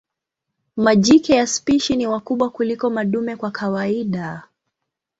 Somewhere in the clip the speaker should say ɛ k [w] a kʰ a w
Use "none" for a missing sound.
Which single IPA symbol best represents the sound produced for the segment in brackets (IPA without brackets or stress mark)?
w